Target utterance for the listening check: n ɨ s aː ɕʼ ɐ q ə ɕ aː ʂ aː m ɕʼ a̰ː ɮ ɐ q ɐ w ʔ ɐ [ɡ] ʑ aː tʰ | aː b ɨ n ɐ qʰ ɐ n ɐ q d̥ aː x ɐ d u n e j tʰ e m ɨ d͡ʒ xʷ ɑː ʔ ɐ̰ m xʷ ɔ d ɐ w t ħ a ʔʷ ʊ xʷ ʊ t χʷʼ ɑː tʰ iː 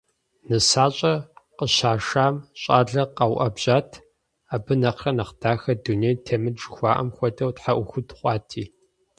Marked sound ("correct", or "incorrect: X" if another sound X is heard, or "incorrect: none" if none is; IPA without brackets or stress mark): incorrect: b